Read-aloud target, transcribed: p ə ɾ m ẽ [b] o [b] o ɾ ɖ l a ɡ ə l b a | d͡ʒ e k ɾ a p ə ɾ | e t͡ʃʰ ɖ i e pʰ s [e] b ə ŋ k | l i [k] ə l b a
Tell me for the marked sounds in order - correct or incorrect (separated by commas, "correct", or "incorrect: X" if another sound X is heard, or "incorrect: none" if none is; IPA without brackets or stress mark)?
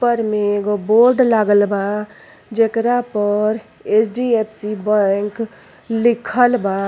incorrect: ɡ, correct, incorrect: i, incorrect: kʰ